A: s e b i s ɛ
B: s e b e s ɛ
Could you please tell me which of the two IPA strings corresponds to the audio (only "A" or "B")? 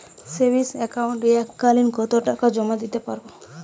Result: A